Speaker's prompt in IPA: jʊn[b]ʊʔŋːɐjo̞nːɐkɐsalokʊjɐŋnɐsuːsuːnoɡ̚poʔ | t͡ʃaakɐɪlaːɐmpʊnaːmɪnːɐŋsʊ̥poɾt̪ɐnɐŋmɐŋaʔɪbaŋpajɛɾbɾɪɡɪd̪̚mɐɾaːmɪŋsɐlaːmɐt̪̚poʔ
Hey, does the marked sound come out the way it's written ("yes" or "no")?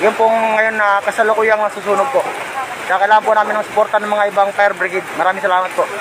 no